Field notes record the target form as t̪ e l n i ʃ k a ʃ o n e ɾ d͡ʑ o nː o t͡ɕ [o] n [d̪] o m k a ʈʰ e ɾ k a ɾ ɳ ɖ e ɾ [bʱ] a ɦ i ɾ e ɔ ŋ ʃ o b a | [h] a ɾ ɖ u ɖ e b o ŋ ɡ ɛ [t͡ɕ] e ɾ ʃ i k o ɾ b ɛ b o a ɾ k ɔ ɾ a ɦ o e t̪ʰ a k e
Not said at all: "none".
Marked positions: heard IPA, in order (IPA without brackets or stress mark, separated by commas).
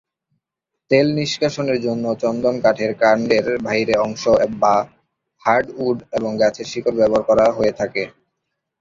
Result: ɔ, d̪, bʱ, h, t͡ɕʰ